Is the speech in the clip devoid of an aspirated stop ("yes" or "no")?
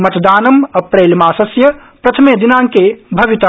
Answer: no